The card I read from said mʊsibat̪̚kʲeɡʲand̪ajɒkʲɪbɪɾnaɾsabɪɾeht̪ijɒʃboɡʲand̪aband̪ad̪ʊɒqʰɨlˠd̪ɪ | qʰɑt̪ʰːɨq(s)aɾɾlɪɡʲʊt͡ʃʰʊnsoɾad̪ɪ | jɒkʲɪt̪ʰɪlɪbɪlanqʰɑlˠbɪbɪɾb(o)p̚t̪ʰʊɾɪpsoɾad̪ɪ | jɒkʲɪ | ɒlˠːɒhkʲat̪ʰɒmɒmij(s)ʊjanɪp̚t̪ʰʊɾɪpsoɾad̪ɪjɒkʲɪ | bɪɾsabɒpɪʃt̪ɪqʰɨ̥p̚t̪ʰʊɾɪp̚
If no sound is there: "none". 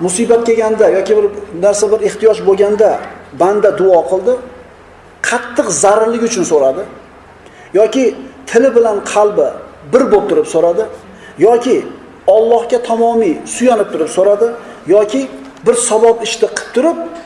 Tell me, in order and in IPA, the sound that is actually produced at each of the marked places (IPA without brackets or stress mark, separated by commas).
z, o, s